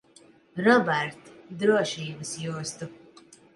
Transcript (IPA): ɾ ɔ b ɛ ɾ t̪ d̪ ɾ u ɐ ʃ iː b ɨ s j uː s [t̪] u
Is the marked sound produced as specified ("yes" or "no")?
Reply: yes